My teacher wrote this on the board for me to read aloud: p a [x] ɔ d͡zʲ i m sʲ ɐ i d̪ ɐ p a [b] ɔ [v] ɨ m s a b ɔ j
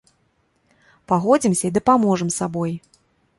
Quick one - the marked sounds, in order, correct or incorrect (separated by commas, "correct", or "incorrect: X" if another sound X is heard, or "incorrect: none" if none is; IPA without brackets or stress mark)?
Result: incorrect: ɣ, incorrect: m, incorrect: ʐ